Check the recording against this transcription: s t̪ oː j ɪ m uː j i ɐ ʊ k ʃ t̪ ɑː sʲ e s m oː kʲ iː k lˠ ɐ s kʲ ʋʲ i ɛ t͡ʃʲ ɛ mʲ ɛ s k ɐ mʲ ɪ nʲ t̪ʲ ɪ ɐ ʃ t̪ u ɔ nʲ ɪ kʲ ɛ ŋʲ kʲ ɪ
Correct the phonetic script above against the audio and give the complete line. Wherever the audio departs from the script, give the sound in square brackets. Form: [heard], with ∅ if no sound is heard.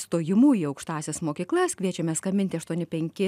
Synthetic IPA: s t̪ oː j ɪ m uː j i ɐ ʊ k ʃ t̪ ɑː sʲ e s m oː kʲ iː k lˠ ɐ s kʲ ʋʲ i ɛ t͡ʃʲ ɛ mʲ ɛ s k ɐ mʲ ɪ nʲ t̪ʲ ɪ ɐ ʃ t̪ u ɔ nʲ ɪ [pʲ] ɛ ŋʲ kʲ ɪ

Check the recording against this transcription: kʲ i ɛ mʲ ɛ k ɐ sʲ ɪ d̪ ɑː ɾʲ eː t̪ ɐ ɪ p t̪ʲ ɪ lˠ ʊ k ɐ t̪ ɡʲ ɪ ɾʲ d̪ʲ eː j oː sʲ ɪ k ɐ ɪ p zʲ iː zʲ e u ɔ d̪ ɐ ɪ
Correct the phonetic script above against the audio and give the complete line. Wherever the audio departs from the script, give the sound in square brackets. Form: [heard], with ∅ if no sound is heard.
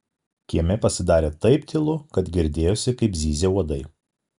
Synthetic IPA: kʲ i ɛ mʲ ɛ [p] ɐ sʲ ɪ d̪ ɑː ɾʲ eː t̪ ɐ ɪ p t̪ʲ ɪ lˠ ʊ k ɐ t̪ ɡʲ ɪ ɾʲ d̪ʲ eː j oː sʲ ɪ k ɐ ɪ p zʲ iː zʲ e u ɔ d̪ ɐ ɪ

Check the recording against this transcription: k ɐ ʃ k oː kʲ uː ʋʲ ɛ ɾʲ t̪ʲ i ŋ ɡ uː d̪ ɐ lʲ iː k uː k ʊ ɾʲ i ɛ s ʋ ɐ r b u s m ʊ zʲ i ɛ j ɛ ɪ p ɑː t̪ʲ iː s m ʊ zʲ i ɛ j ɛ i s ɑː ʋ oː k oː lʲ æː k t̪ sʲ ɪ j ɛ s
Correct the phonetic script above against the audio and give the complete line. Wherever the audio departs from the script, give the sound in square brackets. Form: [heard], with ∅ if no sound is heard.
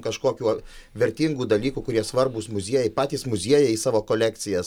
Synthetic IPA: k ɐ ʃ k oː kʲ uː ʋʲ ɛ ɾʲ t̪ʲ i ŋ ɡ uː d̪ ɐ lʲ iː k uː k ʊ ɾʲ i ɛ s ʋ ɐ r b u s m ʊ zʲ i ɛ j ɛ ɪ p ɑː t̪ʲ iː s m ʊ zʲ i ɛ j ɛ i s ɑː ʋ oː k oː lʲ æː k t̪ sʲ ɪ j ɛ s

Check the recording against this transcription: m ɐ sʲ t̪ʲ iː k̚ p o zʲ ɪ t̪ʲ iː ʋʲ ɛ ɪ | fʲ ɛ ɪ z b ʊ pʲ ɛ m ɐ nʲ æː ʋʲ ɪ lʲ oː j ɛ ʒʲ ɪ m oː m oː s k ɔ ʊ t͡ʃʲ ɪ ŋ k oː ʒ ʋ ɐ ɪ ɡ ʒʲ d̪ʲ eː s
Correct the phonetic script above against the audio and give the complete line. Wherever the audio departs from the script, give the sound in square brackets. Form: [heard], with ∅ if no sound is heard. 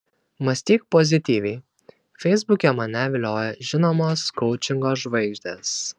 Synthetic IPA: m ɐ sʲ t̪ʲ iː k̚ p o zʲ ɪ t̪ʲ iː ʋʲ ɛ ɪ | fʲ ɛ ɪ z b ʊ [kʲ] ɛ m ɐ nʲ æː ʋʲ ɪ lʲ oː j ɛ ʒʲ ɪ [n] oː m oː s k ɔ ʊ t͡ʃʲ ɪ ŋ [ɡ] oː ʒ ʋ ɐ ɪ ɡ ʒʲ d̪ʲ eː s

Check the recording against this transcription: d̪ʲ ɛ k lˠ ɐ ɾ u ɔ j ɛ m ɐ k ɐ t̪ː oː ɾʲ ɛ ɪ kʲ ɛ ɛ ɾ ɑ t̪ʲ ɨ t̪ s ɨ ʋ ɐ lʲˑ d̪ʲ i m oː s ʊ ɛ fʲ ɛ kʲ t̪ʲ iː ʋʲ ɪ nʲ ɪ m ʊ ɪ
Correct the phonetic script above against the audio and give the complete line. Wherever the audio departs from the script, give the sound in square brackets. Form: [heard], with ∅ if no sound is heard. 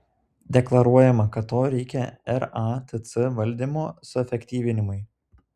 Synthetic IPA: d̪ʲ ɛ k lˠ ɐ ɾ u ɔ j ɛ m ɐ k ɐ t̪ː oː ɾʲ ɛ ɪ kʲ ɛ ɛ ɾ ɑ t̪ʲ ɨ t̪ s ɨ ʋ ɐ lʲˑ d̪ʲ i m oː s ʊ ɛ fʲ ɛ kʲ t̪ʲ iː ʋʲ ɪ nʲ ɪ m ʊ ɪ

